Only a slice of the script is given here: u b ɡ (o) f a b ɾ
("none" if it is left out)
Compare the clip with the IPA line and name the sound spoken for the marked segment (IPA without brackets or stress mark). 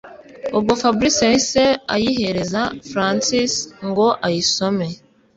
o